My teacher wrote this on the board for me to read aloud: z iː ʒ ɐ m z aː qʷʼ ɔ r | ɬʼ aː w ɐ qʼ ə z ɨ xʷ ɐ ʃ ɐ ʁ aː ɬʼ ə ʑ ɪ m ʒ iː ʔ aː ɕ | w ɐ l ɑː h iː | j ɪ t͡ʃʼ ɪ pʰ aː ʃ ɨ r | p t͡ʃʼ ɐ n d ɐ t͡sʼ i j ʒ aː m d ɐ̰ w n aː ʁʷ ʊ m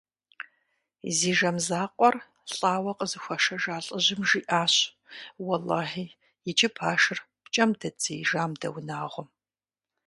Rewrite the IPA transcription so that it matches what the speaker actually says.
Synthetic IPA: z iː ʒ ɐ m z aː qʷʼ ɔ r | ɬʼ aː w ɐ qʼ ə z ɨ xʷ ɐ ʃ ɐ ʒ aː ɬʼ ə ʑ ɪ m ʒ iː ʔ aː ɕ | w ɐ l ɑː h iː | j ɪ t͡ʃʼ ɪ pʰ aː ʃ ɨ r | p t͡ʃʼ ɐ m d ɐ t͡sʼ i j ʒ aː m d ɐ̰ w n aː ʁʷ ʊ m